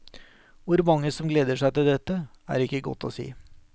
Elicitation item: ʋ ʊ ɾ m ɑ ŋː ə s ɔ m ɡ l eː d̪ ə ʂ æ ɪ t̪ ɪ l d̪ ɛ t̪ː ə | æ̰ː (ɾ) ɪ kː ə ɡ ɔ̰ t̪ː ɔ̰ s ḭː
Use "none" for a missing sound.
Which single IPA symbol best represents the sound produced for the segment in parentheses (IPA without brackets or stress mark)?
ɾ